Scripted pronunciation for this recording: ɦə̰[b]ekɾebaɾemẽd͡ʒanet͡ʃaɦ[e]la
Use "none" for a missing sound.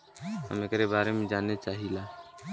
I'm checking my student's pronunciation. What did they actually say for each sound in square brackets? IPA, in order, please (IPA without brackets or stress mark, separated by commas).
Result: m, i